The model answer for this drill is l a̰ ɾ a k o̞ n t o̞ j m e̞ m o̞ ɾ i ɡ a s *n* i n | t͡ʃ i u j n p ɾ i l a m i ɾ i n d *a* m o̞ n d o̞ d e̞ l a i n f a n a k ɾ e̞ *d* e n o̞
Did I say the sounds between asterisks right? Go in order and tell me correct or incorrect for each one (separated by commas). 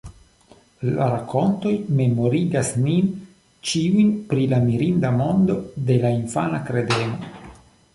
correct, correct, correct